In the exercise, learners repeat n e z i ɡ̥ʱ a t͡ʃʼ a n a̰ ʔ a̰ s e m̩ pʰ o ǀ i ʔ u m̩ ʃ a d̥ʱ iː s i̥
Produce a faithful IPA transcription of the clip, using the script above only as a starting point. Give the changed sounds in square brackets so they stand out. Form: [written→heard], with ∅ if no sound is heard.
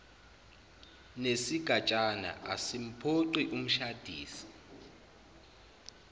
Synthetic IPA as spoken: n e [z→s] i ɡ̥ʱ a t͡ʃʼ a n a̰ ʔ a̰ s [e→i] m̩ pʰ o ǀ i ʔ u m̩ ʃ a d̥ʱ iː s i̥